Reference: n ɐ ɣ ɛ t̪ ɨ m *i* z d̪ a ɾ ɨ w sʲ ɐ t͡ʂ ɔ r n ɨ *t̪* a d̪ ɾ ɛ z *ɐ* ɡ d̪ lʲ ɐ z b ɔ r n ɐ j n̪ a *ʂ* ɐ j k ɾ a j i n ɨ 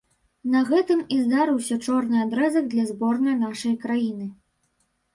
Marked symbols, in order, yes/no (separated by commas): yes, no, yes, yes